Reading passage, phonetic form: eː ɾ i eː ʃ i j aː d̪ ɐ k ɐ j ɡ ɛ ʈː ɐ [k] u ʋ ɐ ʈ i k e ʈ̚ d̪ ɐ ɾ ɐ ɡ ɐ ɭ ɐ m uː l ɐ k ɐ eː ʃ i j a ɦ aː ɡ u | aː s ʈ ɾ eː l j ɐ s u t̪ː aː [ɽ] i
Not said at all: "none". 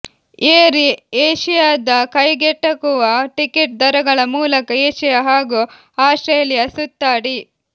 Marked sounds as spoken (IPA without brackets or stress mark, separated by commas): k, ɽ